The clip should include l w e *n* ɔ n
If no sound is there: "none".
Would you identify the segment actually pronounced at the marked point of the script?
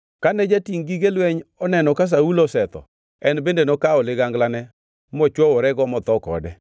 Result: ɲ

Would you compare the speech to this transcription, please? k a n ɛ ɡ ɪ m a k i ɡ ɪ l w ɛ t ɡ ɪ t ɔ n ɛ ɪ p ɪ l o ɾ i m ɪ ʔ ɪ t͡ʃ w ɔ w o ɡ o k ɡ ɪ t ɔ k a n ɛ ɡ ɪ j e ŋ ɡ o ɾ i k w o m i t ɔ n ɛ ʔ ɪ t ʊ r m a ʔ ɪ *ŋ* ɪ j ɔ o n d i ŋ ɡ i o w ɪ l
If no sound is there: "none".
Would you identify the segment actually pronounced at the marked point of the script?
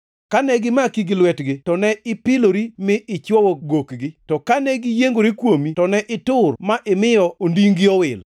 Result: m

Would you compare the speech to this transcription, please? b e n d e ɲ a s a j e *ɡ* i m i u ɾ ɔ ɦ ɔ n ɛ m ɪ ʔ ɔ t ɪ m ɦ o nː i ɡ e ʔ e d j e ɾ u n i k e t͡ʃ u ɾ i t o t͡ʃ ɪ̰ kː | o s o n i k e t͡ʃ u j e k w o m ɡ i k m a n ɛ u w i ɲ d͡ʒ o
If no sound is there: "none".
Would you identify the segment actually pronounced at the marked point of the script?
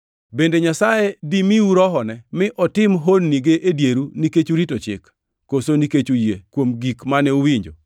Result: d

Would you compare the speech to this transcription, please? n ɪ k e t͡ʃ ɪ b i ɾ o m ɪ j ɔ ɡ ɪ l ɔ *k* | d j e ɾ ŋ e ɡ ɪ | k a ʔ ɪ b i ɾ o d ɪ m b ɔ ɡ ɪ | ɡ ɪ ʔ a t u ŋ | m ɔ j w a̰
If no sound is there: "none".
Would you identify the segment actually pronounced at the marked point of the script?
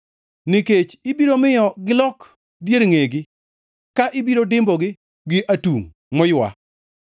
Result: k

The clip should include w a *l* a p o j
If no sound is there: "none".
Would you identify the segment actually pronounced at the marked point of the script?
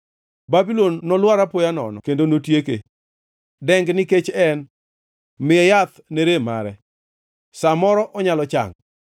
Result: ɾ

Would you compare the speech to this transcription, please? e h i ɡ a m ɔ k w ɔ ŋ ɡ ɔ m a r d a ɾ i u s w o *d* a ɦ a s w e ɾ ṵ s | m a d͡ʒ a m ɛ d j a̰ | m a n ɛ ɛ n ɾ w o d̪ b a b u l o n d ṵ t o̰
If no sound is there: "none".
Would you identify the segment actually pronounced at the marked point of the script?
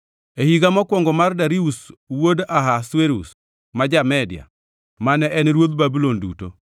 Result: d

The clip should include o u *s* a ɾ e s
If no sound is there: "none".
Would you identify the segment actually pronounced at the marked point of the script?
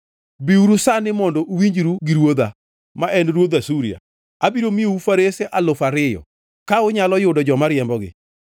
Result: f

